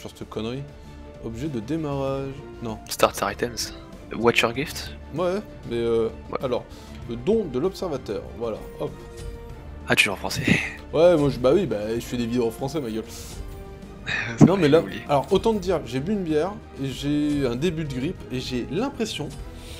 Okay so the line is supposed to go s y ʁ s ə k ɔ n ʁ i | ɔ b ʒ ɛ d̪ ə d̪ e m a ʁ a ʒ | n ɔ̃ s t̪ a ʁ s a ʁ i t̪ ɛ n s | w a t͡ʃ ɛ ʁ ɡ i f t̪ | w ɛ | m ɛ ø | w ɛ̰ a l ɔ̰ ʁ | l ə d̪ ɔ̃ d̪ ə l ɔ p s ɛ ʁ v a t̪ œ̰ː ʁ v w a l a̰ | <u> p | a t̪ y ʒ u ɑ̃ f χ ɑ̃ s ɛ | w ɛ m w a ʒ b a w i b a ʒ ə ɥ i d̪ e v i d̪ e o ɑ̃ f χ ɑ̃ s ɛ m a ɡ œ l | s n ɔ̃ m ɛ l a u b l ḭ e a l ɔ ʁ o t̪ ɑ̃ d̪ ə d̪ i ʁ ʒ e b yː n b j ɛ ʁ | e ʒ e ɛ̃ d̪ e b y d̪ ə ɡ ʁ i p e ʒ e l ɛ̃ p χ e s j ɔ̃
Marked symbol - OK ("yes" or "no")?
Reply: no